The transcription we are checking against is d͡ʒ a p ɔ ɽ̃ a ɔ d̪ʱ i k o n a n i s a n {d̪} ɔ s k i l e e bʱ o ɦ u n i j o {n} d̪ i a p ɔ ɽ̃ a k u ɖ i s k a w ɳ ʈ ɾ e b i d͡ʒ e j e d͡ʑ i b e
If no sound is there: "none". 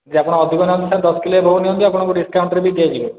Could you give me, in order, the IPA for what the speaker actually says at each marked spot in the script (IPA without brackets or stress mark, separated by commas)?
d̪, n